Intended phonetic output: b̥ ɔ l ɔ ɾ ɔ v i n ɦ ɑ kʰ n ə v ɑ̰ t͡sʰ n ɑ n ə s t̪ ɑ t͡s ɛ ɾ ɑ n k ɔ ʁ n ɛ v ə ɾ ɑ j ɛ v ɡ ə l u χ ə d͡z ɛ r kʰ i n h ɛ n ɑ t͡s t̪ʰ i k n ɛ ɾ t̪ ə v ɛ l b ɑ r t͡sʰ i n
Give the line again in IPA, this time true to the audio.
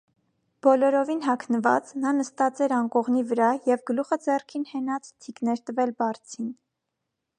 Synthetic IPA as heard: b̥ ɔ l ɔ ɾ ɔ v i n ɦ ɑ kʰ n ə v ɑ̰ t͡s n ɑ n ə s t̪ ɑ t͡s ɛ ɾ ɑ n k ɔ ʁ n i v ə ɾ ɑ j ɛ v ɡ ə l u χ ə d͡z ɛ r kʰ i n h ɛ n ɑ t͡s t̪ʰ i k n ɛ ɾ t̪ ə v ɛ l b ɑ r t͡sʰ i n